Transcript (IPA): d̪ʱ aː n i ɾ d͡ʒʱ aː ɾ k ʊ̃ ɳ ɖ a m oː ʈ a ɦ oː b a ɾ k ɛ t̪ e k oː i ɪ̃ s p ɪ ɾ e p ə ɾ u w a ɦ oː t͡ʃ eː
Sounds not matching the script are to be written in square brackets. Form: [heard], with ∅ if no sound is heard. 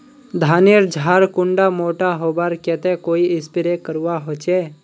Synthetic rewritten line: d̪ʱ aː n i ɾ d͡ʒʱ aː ɾ k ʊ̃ ɳ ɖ a m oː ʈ a ɦ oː b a ɾ k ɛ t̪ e k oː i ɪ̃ s p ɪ ɾ e [k] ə ɾ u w a ɦ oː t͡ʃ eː